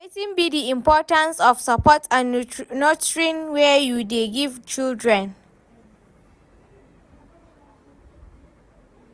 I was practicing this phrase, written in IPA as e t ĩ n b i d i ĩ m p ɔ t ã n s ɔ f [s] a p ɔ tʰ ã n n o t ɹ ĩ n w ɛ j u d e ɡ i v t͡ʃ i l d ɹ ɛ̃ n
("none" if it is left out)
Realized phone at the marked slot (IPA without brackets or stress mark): s